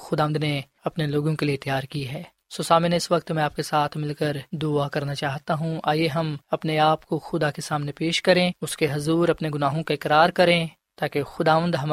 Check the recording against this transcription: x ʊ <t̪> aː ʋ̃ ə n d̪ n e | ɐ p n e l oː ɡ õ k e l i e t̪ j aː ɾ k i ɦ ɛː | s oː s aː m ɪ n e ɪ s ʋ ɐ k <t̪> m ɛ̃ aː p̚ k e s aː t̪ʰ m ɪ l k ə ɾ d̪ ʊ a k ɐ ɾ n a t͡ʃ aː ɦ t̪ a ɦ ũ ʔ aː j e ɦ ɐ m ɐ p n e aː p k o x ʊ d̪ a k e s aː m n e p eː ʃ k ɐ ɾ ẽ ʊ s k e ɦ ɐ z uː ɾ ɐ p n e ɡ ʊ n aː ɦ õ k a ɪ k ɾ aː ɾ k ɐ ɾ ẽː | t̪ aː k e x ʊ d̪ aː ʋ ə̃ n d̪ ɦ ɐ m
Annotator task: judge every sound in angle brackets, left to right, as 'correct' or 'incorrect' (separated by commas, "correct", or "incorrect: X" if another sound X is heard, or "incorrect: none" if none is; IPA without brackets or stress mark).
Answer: incorrect: d̪, correct